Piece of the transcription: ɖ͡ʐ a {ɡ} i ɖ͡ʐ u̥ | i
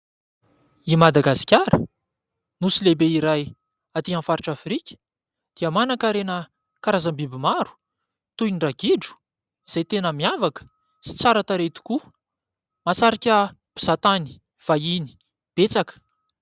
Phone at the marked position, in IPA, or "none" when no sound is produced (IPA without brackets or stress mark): ɡ